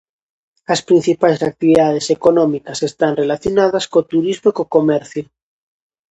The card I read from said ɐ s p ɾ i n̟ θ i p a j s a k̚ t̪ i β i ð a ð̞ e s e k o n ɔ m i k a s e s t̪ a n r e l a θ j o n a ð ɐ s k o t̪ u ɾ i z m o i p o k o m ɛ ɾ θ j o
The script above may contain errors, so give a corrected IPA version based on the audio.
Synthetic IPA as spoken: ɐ s p ɾ i n̟ θ i p a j s a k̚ t̪ i β i ð a ð̞ e s e k o n ɔ m i k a s e s t̪ a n r e l a θ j o n a ð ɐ s k o t̪ u ɾ i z m o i k o k o m ɛ ɾ θ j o

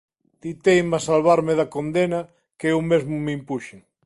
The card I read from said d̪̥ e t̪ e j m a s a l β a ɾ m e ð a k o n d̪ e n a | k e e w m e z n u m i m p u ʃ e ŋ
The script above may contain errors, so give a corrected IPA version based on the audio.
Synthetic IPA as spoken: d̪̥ i t̪ e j m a s a l β a ɾ m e ð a k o n d̪ e n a | k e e w m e z m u m i m p u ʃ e ŋ

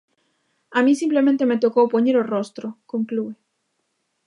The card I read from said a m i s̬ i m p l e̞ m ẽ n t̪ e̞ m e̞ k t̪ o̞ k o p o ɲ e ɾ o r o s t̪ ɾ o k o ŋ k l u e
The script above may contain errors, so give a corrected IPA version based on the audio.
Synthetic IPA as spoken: a m i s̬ i m p l e̞ m ẽ n t̪ e̞ m e̞ t̪ o̞ k o p o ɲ e ɾ o r o s t̪ ɾ o k o ŋ k l u e

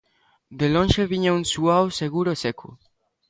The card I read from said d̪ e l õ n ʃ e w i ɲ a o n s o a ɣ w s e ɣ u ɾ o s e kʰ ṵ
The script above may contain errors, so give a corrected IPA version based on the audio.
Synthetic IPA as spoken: d̪ e l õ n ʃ e β i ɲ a u n s u a w s e ɣ u ɾ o s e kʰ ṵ

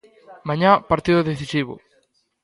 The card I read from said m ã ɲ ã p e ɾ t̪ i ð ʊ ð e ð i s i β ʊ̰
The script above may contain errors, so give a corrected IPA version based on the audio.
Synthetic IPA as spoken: m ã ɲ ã p a ɾ t̪ i ð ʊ ð e θ i s i β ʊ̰

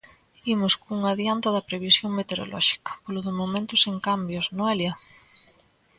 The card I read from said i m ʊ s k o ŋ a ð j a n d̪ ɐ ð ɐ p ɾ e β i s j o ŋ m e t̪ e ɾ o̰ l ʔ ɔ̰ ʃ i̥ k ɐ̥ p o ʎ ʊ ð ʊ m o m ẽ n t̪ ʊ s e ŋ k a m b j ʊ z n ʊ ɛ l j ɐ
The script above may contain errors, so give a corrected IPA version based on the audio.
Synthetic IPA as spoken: i m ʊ s k u ŋ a ð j a n t̪ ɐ ð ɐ p ɾ e β i s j o ŋ m e t̪ e ɾ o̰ l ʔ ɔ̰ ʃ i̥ k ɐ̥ p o l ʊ ð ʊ m o m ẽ n t̪ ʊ s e ŋ k a m b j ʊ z n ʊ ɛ l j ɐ

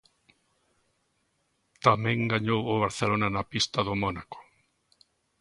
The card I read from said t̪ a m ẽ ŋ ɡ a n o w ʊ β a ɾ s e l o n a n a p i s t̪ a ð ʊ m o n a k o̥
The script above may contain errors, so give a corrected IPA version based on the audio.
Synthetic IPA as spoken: t̪ a m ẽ ŋ ɡ a ɲ o w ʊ β a ɾ θ e l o n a n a p i s t̪ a ð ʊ m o n a k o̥

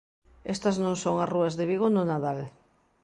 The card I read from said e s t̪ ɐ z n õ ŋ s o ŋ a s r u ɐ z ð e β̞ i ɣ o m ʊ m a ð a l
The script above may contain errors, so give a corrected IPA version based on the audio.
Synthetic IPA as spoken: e s t̪ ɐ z n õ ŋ s o ŋ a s r u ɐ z ð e β̞ i ɣ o n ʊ n a ð a l

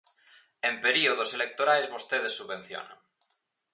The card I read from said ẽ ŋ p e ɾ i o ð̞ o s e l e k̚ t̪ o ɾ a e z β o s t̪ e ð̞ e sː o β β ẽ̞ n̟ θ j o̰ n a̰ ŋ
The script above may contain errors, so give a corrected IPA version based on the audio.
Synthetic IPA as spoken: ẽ m p e ɾ i o ð̞ o s e l e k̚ t̪ o ɾ a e z β o s t̪ e ð̞ e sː u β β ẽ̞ n̟ θ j o̰ n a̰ ŋ

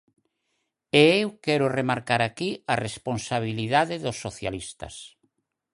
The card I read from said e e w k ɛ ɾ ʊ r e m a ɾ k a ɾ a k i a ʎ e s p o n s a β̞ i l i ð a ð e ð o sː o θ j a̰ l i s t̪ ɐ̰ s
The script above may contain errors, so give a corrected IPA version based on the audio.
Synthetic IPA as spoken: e e w k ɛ ɾ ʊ r e m a ɾ k a ɾ a k i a r e s p o n s a β̞ i l i ð a ð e ð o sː o θ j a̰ l i s t̪ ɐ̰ s

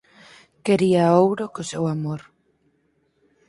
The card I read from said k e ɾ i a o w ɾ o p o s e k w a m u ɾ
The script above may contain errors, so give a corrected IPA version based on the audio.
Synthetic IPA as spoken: k e ɾ i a o w ɾ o k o s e w a m o ɾ

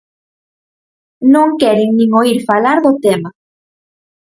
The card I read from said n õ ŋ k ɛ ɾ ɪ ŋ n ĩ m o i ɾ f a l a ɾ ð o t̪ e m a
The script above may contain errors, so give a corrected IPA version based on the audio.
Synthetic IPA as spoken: n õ ŋ k ɛ ɾ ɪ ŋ n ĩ ŋ o i ɾ f a l a ɾ ð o t̪ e m a

